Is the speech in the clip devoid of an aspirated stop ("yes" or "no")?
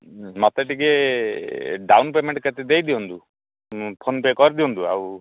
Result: no